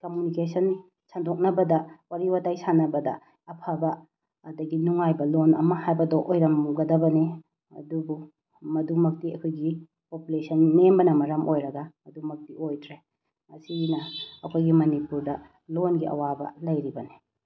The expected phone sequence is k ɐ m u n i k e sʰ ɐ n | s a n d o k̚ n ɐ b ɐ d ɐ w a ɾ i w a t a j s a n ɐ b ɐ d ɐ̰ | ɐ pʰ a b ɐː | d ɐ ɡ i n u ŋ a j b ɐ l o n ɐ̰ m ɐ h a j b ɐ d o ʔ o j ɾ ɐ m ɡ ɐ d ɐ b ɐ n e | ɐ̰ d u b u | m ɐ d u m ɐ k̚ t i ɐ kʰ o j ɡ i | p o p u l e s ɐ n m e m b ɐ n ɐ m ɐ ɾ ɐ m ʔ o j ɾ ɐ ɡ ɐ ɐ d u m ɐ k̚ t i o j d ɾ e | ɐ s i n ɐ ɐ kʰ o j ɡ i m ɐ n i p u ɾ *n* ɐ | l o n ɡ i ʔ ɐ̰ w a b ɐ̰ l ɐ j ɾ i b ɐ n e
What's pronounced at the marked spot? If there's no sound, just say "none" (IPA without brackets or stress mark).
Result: d